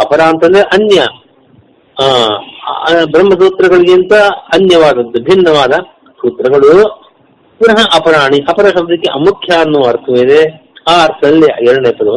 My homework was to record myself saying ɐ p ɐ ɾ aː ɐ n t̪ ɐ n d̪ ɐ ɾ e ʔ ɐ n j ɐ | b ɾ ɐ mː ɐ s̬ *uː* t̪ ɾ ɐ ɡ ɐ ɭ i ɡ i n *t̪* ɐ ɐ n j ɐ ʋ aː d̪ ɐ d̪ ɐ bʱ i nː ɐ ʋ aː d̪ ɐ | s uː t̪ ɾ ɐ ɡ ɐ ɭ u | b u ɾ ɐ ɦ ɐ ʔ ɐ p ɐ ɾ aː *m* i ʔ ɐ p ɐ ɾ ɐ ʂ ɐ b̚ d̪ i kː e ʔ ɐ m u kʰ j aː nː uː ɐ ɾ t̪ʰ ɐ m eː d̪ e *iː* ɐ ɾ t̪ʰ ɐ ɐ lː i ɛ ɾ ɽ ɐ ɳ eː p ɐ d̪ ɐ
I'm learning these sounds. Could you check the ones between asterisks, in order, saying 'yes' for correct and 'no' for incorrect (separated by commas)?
yes, yes, no, no